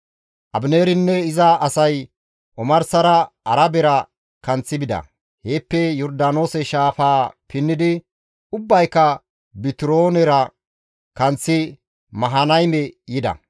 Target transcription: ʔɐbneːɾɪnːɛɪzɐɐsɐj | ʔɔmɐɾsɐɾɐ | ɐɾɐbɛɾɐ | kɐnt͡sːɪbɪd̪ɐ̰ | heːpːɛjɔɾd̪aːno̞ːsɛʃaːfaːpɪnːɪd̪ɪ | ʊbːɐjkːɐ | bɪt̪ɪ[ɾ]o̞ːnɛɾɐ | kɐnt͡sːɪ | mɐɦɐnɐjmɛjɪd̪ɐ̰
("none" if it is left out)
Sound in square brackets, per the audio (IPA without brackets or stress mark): ɾ